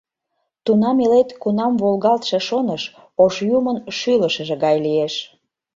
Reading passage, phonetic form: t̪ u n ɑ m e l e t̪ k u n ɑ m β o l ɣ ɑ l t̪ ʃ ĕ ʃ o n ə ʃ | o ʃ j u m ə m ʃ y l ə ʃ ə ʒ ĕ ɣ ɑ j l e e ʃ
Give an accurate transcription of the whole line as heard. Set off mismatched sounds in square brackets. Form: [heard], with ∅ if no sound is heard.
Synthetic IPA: t̪ u n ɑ m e l e t̪ k u n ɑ m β o l ɣ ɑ l t̪ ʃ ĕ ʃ o n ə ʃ | o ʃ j u m ə [n] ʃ y l ə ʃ ə ʒ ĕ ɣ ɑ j l [i] e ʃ